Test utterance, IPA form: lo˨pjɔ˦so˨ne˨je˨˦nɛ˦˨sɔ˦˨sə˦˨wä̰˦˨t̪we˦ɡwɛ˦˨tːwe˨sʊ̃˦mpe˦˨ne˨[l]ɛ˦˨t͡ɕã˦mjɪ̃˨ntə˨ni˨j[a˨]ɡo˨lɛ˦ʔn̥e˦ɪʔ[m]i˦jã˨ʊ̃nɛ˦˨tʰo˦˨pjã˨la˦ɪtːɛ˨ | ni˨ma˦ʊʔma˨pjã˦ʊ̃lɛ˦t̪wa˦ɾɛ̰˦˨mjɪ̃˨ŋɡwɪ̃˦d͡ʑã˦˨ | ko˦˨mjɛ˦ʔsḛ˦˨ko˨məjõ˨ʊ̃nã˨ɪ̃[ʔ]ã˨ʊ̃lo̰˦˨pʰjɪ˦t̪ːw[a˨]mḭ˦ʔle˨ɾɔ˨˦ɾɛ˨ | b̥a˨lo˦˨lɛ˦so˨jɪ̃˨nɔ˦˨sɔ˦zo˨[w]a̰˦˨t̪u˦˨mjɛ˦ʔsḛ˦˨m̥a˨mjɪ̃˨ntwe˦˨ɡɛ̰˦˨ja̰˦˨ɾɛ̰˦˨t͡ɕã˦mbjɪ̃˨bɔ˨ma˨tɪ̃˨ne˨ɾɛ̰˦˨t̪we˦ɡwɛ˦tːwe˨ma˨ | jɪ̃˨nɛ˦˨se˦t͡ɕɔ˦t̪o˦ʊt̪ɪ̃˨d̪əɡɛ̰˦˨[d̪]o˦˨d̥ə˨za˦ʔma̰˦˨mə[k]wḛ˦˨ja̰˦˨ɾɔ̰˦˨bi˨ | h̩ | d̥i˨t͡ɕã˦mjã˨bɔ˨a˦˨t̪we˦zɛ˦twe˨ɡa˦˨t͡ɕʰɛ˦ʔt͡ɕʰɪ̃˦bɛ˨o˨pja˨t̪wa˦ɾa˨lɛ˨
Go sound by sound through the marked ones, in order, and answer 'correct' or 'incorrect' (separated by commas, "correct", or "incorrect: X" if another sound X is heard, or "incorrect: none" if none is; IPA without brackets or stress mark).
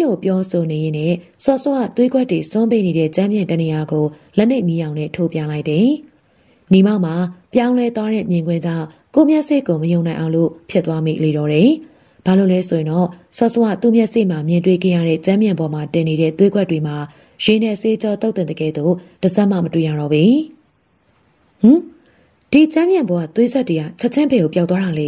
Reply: incorrect: ɾ, correct, correct, correct, incorrect: a˦, correct, correct, incorrect: t